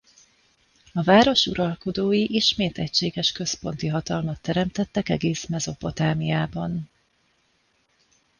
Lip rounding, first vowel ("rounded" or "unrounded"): rounded